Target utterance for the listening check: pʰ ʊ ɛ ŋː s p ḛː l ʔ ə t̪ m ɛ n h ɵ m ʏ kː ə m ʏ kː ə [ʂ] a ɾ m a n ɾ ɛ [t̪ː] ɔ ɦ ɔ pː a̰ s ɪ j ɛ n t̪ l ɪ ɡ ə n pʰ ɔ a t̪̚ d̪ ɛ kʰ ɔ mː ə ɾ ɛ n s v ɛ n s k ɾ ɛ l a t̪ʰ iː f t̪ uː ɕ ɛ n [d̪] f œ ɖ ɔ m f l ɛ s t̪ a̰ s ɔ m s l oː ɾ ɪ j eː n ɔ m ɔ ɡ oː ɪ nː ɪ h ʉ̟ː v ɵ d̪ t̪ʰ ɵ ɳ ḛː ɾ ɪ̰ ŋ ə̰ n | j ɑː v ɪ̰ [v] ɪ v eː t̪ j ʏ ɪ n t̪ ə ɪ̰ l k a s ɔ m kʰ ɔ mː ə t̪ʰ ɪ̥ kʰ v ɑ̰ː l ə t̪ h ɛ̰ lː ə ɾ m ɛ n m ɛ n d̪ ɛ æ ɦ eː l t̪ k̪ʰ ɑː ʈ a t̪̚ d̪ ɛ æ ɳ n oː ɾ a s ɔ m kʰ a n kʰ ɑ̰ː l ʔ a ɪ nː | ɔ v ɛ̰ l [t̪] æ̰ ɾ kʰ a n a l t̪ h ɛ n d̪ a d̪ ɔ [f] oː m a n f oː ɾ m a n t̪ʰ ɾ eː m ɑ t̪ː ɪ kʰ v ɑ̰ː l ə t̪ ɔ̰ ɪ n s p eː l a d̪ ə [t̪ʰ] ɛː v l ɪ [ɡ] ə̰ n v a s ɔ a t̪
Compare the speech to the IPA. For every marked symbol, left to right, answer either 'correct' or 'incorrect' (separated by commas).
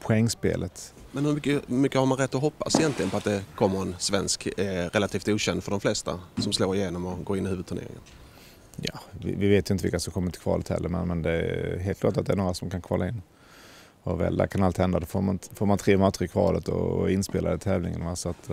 incorrect, correct, correct, correct, incorrect, correct, correct, incorrect